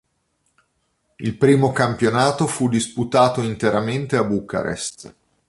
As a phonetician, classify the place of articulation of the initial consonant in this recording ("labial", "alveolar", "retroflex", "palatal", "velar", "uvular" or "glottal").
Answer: alveolar